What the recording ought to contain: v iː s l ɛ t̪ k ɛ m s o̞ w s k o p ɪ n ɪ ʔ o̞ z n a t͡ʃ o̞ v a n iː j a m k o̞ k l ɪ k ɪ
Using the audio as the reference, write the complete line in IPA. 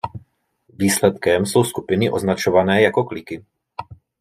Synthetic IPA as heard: v iː s l ɛ t̪ k ɛ m s o̞ w s k u p ɪ n ɪ ʔ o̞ z n a t͡ʃ o̞ v a n ɛː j a k o̞ k l ɪ k ɪ